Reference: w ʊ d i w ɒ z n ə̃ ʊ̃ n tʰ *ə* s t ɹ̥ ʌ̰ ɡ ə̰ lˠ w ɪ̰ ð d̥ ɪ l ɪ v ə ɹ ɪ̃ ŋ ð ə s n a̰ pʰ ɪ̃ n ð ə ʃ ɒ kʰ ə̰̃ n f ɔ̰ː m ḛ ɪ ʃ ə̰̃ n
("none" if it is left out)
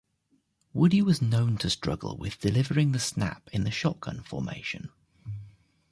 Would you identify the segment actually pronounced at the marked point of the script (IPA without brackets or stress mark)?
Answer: ə